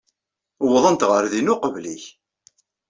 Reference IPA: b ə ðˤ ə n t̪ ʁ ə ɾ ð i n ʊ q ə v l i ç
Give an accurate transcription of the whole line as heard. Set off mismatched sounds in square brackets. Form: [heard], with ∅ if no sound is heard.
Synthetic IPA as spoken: [w] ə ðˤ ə n t̪ ʁ ə ɾ ð i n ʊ q ə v l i ç